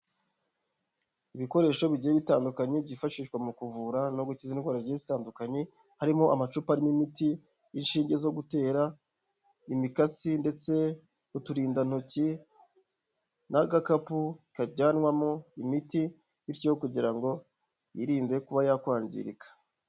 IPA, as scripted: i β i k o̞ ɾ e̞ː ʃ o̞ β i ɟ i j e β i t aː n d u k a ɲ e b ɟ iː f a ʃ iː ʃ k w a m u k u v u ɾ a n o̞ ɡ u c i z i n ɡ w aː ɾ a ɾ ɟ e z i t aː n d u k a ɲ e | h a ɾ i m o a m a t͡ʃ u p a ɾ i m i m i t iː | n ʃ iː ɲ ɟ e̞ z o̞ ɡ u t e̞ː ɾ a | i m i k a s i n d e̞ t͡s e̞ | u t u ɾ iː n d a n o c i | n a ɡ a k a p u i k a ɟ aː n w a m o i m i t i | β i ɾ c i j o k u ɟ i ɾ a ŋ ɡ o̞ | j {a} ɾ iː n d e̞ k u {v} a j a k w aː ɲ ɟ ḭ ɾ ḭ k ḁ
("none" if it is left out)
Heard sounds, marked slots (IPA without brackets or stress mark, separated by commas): i, β